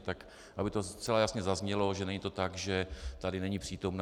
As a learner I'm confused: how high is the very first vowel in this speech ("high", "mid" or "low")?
low